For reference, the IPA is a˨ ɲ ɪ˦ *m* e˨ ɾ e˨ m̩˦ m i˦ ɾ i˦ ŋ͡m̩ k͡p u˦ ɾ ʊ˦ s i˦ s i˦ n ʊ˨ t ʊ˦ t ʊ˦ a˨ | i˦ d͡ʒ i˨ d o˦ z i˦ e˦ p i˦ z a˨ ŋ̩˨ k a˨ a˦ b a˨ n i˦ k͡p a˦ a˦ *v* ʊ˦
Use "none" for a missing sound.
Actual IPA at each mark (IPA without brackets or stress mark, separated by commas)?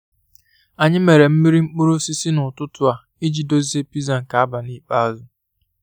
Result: m, z